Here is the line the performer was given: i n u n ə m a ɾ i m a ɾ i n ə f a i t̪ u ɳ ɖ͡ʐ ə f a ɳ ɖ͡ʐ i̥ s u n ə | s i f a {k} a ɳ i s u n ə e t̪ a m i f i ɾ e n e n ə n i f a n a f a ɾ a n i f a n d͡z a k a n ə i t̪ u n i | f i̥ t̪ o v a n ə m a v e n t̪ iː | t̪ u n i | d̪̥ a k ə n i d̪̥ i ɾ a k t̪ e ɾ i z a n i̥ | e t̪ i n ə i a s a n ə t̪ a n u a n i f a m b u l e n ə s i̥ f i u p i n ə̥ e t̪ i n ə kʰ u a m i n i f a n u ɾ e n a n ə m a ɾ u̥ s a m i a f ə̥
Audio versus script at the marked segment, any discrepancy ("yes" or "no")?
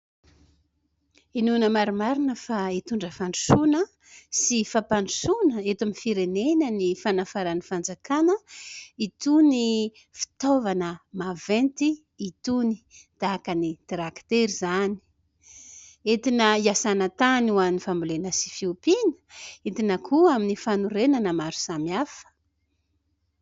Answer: yes